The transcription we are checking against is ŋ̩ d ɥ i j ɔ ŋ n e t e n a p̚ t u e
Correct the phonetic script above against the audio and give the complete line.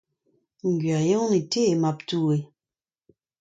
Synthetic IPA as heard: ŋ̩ ɡ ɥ a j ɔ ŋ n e t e m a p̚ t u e